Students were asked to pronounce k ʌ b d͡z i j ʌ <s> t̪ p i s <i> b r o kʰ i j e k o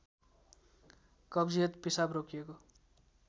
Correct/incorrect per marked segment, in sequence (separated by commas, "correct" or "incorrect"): incorrect, incorrect